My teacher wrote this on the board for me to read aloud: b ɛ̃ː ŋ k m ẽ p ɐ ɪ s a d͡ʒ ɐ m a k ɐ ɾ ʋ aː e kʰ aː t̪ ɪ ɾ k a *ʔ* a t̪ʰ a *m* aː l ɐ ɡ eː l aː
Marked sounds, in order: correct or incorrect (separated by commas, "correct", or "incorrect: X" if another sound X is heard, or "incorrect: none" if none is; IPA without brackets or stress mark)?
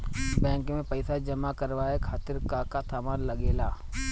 incorrect: k, correct